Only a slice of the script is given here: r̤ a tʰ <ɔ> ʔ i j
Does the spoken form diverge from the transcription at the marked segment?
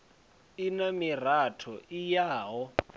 no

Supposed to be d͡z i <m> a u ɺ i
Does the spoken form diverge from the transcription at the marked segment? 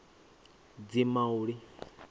no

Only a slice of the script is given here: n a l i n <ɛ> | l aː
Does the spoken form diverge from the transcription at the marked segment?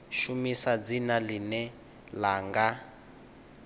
no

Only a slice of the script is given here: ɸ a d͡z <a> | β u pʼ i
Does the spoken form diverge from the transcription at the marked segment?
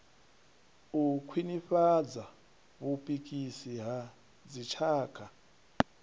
no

